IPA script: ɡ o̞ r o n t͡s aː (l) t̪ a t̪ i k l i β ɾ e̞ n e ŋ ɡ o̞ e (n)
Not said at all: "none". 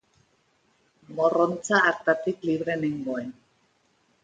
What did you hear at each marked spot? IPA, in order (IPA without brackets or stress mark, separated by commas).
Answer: ɾ, n